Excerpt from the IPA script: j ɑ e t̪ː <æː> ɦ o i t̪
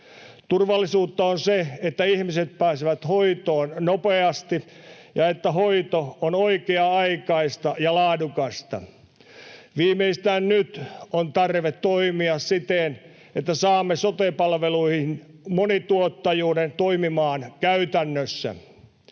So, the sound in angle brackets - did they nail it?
no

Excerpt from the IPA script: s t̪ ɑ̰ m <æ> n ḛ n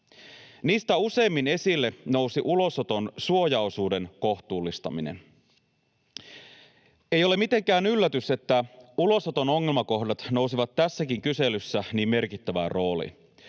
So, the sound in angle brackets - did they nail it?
no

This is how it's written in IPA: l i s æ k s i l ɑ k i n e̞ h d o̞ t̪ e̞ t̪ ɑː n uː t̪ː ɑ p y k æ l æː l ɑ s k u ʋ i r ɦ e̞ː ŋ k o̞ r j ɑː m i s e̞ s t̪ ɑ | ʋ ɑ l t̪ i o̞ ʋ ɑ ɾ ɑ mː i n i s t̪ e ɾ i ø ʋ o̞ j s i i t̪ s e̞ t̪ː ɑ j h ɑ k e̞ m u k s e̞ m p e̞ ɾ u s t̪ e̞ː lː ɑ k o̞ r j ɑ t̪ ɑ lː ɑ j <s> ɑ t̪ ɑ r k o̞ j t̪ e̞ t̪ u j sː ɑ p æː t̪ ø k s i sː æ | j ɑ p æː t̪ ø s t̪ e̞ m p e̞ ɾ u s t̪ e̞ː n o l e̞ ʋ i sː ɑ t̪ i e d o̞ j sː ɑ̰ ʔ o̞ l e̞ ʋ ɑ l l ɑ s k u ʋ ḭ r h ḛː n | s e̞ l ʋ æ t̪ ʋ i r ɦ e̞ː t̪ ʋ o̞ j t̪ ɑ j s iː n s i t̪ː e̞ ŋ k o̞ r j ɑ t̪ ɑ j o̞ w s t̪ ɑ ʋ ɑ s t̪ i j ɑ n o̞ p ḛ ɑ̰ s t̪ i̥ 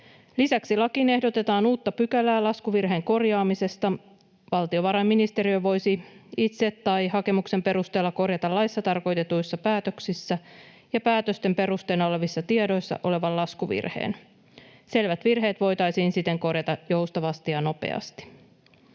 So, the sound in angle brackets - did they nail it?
no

